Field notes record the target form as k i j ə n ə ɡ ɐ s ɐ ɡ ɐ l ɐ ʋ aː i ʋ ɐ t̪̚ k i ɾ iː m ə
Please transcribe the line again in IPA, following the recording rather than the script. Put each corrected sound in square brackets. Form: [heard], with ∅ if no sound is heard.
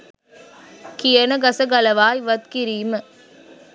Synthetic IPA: k i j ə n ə ɡ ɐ s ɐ ɡ ɐ l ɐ ʋ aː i ʋ ɐ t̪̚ k i ɾ iː m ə